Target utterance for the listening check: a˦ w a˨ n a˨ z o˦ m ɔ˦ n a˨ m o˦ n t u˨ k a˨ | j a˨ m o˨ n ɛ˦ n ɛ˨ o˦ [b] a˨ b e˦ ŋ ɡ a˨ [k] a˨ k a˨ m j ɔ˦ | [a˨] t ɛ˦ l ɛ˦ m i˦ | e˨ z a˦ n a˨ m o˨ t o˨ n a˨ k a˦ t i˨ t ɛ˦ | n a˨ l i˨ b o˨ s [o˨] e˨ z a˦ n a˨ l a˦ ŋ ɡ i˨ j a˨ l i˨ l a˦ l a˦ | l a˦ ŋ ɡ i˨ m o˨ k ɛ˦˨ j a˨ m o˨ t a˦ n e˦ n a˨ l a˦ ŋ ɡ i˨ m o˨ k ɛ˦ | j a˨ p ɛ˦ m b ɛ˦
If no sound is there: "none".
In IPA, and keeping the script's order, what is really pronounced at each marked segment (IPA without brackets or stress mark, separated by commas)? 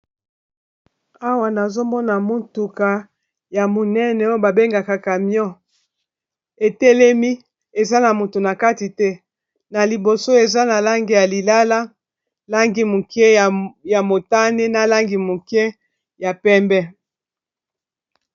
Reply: b, k, e˨, o˦